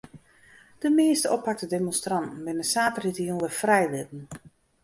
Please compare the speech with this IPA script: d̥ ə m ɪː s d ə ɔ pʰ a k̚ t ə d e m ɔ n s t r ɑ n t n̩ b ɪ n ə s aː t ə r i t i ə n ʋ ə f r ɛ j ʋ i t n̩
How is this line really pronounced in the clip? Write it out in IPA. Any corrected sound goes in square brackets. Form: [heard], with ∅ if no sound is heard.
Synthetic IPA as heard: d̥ ə m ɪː s [t] ə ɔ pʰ a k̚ t ə d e m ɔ n s t r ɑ n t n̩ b ɪ n ə s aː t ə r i t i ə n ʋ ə f r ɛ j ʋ [ɪ] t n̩